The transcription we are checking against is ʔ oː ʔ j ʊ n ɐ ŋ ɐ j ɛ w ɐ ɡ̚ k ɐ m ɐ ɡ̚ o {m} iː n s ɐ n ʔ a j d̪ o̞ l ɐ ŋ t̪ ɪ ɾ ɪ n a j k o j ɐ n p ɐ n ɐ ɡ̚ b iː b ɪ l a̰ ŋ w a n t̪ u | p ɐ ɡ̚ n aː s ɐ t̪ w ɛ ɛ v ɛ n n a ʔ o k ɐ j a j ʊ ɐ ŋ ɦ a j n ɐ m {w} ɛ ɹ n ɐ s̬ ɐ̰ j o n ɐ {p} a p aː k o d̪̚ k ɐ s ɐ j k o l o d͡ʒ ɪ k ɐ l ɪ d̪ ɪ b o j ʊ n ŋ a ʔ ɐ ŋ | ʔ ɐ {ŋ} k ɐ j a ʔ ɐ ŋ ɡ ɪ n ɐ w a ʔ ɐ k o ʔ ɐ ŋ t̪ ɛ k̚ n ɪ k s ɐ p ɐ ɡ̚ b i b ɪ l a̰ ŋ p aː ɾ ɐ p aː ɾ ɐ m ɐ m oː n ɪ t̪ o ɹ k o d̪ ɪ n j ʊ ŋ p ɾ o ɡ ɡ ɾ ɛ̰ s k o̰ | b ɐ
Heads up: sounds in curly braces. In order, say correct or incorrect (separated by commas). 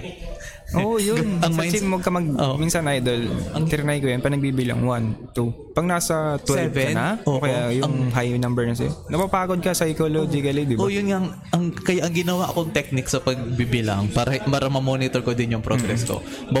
correct, incorrect, correct, correct